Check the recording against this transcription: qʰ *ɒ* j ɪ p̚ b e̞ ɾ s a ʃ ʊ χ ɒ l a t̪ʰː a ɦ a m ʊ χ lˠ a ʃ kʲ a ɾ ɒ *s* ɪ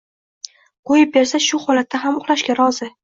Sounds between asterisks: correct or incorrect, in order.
incorrect: o, incorrect: z

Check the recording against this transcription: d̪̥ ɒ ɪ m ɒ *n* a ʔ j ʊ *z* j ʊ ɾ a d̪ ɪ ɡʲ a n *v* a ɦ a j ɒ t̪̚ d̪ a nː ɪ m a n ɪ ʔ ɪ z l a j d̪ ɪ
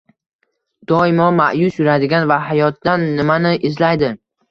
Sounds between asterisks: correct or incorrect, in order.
incorrect: m, incorrect: s, correct

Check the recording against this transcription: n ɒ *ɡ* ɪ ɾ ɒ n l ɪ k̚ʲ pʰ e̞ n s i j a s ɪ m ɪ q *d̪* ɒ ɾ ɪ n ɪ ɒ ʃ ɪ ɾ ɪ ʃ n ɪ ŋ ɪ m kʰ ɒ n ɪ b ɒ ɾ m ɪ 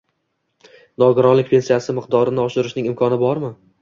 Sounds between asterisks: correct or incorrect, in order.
correct, correct

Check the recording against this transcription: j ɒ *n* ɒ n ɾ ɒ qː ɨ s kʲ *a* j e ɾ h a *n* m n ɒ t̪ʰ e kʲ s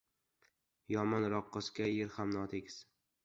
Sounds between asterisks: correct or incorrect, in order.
incorrect: m, correct, incorrect: none

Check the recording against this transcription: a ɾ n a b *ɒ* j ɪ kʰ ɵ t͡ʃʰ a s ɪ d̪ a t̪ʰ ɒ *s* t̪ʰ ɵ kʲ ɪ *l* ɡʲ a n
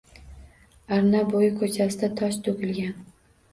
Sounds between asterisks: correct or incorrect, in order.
incorrect: o, incorrect: ʃ, correct

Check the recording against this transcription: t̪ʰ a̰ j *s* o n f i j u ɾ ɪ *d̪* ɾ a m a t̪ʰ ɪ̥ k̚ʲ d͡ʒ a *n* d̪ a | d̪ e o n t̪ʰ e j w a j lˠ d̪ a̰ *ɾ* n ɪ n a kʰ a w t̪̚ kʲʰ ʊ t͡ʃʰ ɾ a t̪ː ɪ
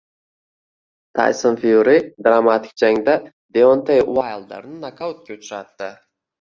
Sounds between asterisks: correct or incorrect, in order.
correct, correct, incorrect: ŋ, correct

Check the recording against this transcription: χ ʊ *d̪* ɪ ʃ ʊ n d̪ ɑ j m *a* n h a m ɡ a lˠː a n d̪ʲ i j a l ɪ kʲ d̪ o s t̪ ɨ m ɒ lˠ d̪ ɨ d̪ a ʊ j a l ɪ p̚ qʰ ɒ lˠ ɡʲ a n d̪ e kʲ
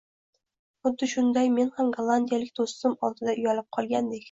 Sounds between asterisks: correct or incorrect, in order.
incorrect: d̪ː, incorrect: e

